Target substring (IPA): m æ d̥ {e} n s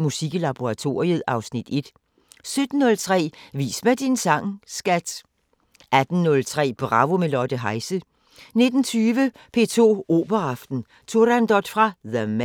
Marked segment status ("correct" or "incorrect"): incorrect